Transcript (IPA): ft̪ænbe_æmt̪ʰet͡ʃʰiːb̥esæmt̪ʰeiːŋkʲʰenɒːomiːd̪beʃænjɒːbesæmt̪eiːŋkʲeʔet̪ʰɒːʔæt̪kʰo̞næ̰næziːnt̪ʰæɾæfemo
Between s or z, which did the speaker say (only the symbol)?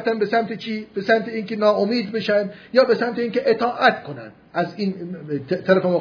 s